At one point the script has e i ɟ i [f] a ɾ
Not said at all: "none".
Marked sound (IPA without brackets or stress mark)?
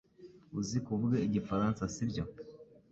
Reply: f